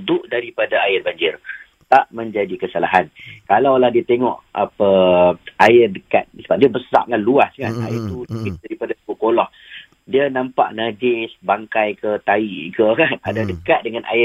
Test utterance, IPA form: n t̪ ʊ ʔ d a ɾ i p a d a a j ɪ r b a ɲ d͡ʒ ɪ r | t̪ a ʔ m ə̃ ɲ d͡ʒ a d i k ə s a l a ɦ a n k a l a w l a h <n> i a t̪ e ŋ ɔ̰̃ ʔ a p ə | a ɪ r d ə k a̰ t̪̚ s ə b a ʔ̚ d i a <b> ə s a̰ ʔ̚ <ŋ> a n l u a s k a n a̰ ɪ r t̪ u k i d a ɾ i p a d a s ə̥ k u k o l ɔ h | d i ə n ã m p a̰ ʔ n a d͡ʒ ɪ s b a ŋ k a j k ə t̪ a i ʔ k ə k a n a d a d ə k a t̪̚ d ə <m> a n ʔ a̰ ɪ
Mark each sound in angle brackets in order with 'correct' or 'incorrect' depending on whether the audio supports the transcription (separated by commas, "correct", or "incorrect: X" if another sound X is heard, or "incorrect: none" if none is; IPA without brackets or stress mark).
incorrect: d, correct, correct, incorrect: ŋ